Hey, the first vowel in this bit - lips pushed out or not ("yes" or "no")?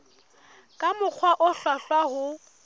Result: no